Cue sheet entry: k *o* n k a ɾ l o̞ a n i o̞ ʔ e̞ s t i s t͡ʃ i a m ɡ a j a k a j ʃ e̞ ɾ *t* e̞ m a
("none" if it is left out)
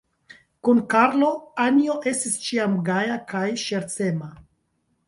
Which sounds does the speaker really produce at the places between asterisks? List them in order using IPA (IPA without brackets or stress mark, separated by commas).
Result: u, t͡s